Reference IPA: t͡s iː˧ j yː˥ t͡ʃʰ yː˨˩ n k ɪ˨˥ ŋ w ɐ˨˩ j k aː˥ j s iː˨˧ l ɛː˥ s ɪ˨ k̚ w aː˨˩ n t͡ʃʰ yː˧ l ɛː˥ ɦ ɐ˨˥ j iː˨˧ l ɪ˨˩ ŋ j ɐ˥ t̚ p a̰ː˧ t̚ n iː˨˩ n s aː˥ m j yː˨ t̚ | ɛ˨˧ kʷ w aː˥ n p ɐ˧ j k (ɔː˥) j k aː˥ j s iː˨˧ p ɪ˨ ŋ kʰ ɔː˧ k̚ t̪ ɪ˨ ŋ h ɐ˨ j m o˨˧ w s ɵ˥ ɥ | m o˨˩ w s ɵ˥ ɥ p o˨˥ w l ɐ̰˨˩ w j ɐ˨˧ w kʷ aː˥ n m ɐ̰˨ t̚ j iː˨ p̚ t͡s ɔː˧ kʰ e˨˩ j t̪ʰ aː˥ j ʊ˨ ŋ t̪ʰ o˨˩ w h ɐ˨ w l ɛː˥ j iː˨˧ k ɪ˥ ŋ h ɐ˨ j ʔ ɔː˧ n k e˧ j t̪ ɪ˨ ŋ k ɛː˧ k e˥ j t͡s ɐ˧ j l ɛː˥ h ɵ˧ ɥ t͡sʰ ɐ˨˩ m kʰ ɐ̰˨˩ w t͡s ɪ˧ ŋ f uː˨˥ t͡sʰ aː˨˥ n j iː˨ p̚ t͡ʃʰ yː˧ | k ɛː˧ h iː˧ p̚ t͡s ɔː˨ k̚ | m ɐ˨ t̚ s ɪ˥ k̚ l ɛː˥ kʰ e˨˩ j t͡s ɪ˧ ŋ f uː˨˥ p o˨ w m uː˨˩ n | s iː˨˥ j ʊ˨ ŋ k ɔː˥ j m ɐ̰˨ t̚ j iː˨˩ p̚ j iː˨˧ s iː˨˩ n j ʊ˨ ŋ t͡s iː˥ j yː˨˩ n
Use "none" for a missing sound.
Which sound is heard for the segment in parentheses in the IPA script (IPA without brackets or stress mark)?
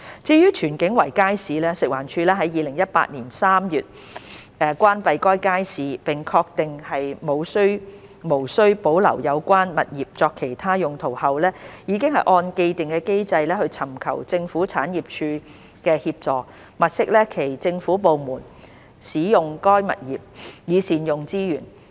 ɔː˥